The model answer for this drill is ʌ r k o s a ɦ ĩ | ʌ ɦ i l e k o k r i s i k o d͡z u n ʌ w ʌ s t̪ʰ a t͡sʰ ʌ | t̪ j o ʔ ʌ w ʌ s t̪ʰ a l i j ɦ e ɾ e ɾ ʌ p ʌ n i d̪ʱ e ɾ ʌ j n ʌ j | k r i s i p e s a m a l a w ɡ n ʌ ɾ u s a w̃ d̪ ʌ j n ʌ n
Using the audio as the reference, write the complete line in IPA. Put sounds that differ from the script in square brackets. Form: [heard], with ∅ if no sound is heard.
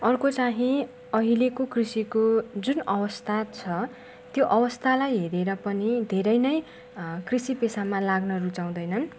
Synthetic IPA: ʌ r k o [t͡s] a ɦ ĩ | ʌ ɦ i l e k o k r i s i k o d͡z u n ʌ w ʌ s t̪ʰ a t͡sʰ ʌ | t̪ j o ʔ ʌ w ʌ s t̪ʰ a l [a] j ɦ e ɾ e ɾ ʌ p ʌ n i d̪ʱ e ɾ ʌ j n ʌ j | k r i s i p e s a m a l a [∅] ɡ n ʌ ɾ u [t͡s] a w̃ d̪ ʌ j n ʌ n